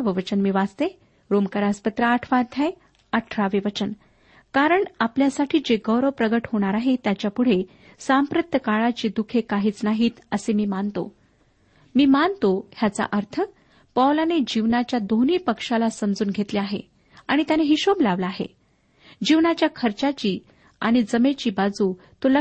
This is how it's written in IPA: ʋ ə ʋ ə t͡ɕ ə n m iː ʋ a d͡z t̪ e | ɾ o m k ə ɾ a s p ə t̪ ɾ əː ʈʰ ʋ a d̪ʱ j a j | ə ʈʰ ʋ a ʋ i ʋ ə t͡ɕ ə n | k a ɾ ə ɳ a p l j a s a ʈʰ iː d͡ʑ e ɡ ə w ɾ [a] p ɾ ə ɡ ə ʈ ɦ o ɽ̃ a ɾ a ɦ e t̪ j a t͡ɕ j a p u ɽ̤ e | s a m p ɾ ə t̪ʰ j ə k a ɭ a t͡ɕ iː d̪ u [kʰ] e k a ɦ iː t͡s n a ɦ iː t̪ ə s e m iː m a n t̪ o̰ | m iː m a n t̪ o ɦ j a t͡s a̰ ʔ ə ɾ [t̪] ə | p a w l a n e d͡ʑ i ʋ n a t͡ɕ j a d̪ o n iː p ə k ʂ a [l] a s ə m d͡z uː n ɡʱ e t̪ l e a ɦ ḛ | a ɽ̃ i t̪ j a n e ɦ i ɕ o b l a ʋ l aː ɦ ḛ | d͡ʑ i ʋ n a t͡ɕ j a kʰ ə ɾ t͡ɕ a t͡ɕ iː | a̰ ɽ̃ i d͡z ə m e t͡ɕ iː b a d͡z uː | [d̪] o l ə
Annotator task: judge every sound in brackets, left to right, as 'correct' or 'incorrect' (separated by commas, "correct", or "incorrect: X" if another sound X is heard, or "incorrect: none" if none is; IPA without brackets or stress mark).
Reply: incorrect: ə, correct, incorrect: t̪ʰ, correct, incorrect: t̪